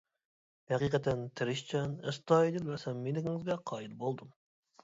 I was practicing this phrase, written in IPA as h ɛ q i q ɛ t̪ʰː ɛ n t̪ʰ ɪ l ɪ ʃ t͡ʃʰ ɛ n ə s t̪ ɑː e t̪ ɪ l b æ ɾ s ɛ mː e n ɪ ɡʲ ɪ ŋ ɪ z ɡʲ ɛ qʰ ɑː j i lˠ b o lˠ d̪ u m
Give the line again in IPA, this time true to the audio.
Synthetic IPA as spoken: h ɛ q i q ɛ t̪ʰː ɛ n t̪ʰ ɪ ɾ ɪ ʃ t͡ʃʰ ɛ n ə s t̪ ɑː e d̪ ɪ l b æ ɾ s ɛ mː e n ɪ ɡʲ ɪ ŋ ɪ z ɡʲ ɛ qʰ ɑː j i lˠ b o lˠ d̪ u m